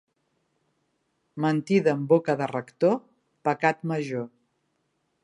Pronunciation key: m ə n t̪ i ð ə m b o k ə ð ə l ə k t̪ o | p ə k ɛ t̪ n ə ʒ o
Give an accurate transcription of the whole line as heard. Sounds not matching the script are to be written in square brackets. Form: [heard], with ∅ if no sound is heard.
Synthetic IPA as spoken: m ə n t̪ i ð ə m b o k ə ð ə [r] ə k t̪ o | p ə k [a] t̪ [m] ə ʒ o